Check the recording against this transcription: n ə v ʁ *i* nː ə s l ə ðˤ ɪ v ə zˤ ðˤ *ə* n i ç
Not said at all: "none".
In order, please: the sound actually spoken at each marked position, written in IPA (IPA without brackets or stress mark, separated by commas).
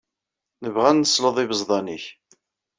æ, ɑ